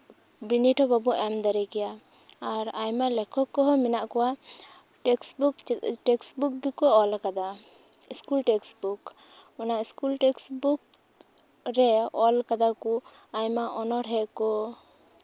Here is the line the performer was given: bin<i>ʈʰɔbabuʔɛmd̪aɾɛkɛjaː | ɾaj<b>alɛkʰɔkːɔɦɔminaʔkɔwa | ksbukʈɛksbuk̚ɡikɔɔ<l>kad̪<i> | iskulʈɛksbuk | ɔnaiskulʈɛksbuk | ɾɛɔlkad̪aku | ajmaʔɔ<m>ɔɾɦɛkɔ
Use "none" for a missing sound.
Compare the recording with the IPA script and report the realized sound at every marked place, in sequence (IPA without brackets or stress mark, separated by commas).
i, m, l, a, n